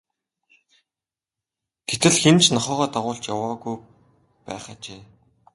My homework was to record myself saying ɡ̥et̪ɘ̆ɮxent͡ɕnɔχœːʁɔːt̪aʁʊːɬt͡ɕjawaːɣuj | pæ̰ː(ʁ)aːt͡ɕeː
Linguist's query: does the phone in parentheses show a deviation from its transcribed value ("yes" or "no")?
yes